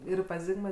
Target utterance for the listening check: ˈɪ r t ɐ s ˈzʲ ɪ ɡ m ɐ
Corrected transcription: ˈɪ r p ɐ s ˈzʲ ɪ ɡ m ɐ